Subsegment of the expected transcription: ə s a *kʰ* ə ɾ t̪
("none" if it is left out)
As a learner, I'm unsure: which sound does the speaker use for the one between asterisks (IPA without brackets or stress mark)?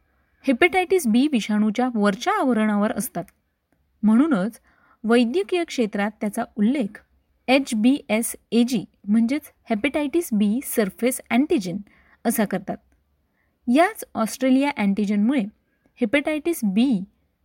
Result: k